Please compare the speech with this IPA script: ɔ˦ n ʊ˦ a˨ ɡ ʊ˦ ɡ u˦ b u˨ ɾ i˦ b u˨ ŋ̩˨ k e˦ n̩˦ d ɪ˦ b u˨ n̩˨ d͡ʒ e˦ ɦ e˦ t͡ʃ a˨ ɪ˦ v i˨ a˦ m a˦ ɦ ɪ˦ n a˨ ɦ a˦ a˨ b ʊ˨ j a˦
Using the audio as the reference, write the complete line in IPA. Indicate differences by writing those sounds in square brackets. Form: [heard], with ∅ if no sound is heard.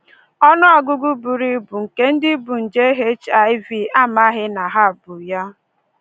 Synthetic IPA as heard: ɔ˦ n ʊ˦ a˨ ɡ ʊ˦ ɡ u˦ b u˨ ɾ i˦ b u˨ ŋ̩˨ k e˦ n̩˦ d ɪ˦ b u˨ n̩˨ d͡ʒ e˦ ɦ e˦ t͡ʃ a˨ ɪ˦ v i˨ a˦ m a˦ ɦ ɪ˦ n a˨ ɦ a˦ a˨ b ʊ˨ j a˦